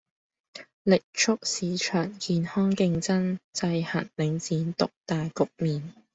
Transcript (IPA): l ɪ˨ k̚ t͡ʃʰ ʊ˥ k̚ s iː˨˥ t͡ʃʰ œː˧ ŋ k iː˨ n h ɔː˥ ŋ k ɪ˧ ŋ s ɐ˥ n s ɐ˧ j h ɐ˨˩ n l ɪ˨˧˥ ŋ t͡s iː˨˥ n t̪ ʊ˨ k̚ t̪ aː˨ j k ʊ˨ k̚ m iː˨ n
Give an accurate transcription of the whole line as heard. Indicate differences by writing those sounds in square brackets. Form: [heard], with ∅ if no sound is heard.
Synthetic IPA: l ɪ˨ k̚ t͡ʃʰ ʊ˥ k̚ s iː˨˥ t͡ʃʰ [œː˨˩] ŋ k iː˨ n h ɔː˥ ŋ k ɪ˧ ŋ [t͡s] ɐ˥ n [t͡s] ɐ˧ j h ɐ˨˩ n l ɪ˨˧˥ ŋ t͡s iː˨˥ n t̪ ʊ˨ k̚ t̪ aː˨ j k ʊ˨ k̚ m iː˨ n

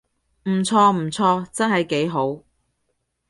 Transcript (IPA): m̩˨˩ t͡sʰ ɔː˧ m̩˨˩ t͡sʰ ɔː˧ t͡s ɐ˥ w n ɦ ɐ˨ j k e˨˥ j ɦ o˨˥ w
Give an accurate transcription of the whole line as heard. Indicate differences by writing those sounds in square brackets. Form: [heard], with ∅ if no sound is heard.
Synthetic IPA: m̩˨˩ t͡sʰ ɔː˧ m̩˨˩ t͡sʰ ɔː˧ t͡s ɐ˥ [∅] n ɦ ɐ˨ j k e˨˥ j ɦ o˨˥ w

